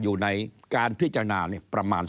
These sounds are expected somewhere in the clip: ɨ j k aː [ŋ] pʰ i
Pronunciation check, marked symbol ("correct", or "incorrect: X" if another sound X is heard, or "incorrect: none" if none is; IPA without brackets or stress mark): incorrect: n